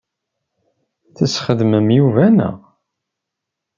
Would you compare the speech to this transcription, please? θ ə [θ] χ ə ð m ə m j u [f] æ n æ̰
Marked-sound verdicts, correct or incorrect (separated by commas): incorrect, incorrect